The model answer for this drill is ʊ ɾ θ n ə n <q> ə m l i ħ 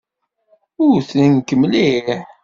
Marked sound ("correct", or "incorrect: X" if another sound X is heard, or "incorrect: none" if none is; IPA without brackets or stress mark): incorrect: k